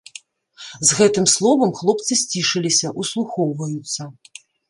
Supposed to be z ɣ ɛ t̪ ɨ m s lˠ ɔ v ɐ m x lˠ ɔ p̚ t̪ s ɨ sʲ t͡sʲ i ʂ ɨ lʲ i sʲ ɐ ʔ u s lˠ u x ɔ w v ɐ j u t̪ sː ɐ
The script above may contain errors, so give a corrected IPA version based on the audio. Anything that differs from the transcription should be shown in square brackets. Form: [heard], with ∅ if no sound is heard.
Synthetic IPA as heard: z ɣ ɛ t̪ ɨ m s lˠ ɔ v ɐ m x lˠ ɔ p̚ t̪ s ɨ sʲ t͡sʲ i ʂ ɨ lʲ i sʲ ɐ ʔ u s lˠ u x ɔ w v ɐ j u t̪ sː ɐ